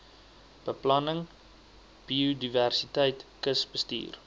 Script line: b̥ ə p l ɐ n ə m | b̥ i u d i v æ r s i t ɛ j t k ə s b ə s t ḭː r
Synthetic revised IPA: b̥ ə p l ɐ n ə ŋ | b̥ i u d i v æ r s i t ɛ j t k ə s b ə s t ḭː r